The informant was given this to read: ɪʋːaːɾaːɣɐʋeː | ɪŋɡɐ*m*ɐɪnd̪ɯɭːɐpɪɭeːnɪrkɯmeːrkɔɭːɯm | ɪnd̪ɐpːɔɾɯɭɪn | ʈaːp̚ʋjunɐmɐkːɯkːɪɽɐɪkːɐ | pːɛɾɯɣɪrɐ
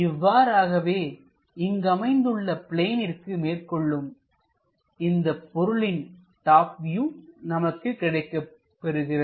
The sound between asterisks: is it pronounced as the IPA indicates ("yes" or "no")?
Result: yes